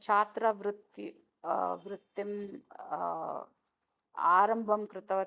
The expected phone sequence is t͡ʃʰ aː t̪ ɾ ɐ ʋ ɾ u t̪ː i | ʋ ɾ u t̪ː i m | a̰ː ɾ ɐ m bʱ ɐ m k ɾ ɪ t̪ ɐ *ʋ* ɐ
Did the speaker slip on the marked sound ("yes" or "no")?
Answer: no